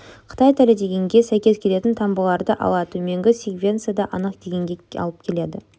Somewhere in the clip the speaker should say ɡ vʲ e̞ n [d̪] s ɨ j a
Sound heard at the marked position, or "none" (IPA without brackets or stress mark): t̪